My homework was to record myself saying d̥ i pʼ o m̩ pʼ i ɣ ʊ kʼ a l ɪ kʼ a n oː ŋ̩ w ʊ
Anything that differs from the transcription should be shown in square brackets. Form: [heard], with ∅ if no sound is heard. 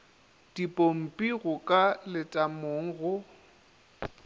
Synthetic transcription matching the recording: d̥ i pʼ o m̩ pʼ i ɣ ʊ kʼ a l ɪ [tʼ] a [m] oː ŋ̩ [ɣ] ʊ